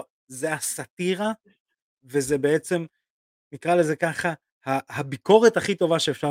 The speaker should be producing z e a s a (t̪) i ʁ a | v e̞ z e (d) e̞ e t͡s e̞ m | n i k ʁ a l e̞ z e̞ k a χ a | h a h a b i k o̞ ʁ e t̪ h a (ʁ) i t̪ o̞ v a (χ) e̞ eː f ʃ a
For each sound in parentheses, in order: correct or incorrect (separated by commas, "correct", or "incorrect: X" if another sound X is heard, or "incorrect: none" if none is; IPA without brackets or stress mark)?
correct, incorrect: b, incorrect: χ, incorrect: ʃ